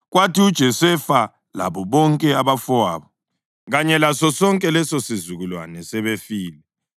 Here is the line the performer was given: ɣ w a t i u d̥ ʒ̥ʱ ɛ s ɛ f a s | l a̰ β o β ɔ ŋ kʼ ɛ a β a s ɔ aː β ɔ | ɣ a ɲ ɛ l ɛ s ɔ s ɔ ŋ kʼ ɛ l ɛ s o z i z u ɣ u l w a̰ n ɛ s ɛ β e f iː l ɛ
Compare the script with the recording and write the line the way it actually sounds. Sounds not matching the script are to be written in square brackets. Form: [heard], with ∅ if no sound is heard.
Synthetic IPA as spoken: ɣ w a t i u d̥ ʒ̥ʱ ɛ s ɛ f a [∅] | l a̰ β [ɔ] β ɔ ŋ kʼ ɛ a β a [f] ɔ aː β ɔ | ɣ a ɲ ɛ l [a] s ɔ s ɔ ŋ kʼ ɛ l ɛ s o [s] i z u ɣ u l w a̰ n ɛ s ɛ β e f iː l ɛ

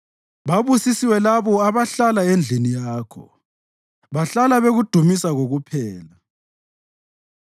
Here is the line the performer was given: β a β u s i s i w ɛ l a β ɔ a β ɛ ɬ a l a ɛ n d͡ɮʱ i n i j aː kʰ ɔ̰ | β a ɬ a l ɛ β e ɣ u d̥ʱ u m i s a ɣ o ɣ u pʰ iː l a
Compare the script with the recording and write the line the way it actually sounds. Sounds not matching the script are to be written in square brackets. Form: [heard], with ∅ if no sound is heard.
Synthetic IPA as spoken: β a β u s i s i w ɛ l a β ɔ a β [a] ɬ a l a [e] n d͡ɮʱ i n i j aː kʰ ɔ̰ | β a ɬ a l [a] β e ɣ u d̥ʱ u m i s a ɣ o ɣ u pʰ [ɛː] l a

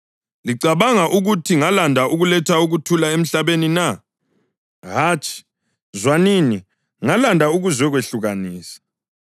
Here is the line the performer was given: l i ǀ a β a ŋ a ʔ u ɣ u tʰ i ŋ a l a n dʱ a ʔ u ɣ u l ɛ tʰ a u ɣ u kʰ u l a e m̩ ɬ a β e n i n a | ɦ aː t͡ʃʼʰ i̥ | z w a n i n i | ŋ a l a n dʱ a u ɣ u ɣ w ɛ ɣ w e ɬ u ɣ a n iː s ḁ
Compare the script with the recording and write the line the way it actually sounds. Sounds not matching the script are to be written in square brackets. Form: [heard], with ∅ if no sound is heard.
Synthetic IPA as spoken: l i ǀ a β a ŋ a ʔ u ɣ u tʰ i ŋ a l a n dʱ a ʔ u ɣ u l ɛ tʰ a u ɣ u [tʰ] u l a e m̩ ɬ a β e n i n a | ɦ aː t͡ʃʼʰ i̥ | z w a n i n i | ŋ a l a n dʱ a u ɣ u [z] w ɛ ɣ w e ɬ u ɣ a n iː s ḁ

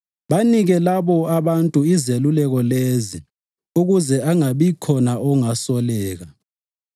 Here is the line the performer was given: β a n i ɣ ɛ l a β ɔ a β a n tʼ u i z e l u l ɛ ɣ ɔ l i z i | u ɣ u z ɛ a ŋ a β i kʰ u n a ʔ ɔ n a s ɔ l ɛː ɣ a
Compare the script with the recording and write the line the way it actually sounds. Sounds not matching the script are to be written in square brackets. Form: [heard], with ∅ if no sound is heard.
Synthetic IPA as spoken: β a n i ɣ ɛ l a β ɔ a β a n tʼ u i z e l u l ɛ ɣ ɔ l [e] z i | u ɣ u z ɛ a ŋ a β i kʰ [ɔ] n a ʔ ɔ [ŋ] a s ɔ l ɛː ɣ a

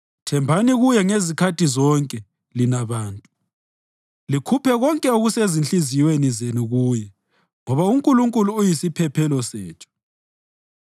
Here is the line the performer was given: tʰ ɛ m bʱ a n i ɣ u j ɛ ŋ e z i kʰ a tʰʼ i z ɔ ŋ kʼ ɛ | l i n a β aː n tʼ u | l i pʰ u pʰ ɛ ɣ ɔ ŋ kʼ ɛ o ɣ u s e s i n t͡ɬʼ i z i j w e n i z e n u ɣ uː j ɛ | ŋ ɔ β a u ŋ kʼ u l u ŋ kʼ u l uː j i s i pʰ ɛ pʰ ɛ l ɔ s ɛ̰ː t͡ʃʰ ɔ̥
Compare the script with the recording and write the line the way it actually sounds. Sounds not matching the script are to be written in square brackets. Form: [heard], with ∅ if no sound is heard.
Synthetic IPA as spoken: tʰ ɛ m bʱ a n i ɣ u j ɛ ŋ e z i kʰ a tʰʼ i z ɔ ŋ kʼ ɛ | l i n a β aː n tʼ u | l i [kʰ] u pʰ ɛ ɣ ɔ ŋ kʼ ɛ o ɣ u s e [z] i n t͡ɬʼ i z i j w e n i z e n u ɣ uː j ɛ | ŋ ɔ β a u ŋ kʼ u l u ŋ kʼ u l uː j i s i pʰ ɛ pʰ ɛ l ɔ s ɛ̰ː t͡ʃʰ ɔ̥

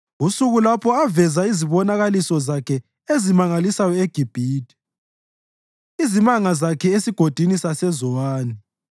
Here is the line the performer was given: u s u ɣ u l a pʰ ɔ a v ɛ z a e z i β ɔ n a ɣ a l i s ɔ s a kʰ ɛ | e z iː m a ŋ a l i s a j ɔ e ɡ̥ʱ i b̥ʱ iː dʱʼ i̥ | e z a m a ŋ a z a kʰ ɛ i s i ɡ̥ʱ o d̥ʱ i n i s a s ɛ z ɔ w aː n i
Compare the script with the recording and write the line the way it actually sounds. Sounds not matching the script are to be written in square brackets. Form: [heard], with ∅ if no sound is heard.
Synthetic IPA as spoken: u s u ɣ u l a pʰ ɔ a v ɛ z a [i] z i β ɔ n a ɣ a l i s ɔ [z] a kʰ ɛ | e z [i] m a ŋ a l i s a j ɔ e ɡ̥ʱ i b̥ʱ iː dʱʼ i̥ | [i] z [i] m a ŋ a z a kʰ ɛ [e] s i ɡ̥ʱ o d̥ʱ i n i s a s ɛ z ɔ w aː n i

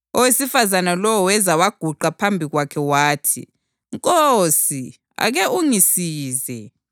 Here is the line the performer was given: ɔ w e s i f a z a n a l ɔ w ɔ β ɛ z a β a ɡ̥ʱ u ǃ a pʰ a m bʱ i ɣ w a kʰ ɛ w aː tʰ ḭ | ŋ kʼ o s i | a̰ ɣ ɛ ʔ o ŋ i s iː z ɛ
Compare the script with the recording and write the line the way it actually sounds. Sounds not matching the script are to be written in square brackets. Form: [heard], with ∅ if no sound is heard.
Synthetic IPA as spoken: ɔ w e s i f a z a n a l ɔ w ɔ [w] ɛ z a [w] a ɡ̥ʱ u ǃ a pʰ a m bʱ i ɣ w a kʰ ɛ w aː tʰ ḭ | ŋ kʼ o s i | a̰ ɣ ɛ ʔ [u] ŋ i s iː z ɛ

